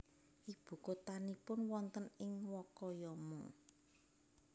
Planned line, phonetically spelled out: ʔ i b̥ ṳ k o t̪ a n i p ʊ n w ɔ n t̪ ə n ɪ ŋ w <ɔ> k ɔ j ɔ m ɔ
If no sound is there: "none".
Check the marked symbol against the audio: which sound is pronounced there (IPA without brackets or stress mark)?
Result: ɔ